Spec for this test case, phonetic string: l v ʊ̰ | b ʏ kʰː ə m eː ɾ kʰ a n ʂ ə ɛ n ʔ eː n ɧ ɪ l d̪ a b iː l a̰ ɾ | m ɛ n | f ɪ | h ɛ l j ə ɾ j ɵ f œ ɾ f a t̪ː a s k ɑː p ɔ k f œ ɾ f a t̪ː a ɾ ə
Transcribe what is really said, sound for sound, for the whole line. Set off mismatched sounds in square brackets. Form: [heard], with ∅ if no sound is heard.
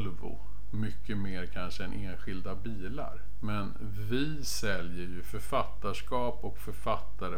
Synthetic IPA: l v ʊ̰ | [m] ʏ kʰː ə m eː ɾ kʰ a n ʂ ə ɛ n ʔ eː n ɧ ɪ l d̪ a b iː l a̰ ɾ | m ɛ n | [v] ɪ | [s] ɛ l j ə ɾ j ɵ f œ ɾ f a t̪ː a [ʂ] k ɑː p ɔ k f œ ɾ f a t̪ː a ɾ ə